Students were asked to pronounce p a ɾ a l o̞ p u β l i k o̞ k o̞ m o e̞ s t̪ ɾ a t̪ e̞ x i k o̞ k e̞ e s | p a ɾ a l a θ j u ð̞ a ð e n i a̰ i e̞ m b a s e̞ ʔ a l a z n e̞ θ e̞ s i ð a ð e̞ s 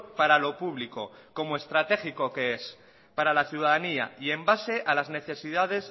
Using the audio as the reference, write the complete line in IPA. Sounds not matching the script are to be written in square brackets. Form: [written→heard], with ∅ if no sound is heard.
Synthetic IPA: p a ɾ a l o̞ p u β l i k o̞ k o̞ m o e̞ s t̪ ɾ a t̪ e̞ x i k o̞ k e̞ e s | p a ɾ a l a θ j u ð̞ a ð [e→a] n i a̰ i e̞ m b a s e̞ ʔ a l a z n e̞ θ e̞ s i ð a ð e̞ s